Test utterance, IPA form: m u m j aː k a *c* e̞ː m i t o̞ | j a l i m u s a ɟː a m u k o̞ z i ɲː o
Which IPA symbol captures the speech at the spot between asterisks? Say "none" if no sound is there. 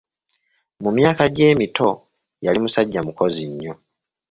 ɟ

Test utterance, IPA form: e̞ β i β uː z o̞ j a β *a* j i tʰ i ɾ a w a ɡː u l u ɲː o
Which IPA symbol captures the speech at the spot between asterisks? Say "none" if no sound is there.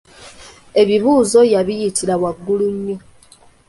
i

